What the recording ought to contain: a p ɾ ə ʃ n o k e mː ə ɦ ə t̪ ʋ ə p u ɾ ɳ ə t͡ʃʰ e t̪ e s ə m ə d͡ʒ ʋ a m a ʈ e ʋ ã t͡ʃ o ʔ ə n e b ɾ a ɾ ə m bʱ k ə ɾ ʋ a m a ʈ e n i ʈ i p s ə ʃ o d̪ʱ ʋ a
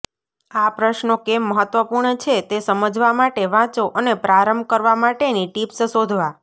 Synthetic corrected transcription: a p ɾ ə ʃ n o k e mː ə ɦ ə t̪ ʋ ə p u ɾ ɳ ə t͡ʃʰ e t̪ e s ə m ə d͡ʒ ʋ a m a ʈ e ʋ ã t͡ʃ o ʔ ə n e p ɾ a ɾ ə m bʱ k ə ɾ ʋ a m a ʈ e n i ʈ i p s ə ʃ o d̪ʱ ʋ a